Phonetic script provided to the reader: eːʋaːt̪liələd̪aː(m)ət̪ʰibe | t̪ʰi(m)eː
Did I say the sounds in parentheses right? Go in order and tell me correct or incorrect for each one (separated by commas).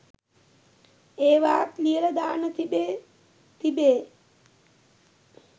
incorrect, incorrect